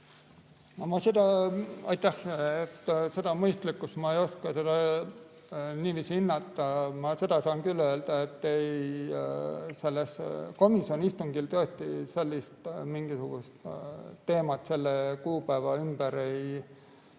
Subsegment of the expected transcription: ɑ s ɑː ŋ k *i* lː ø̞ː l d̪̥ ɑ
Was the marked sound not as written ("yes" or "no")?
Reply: yes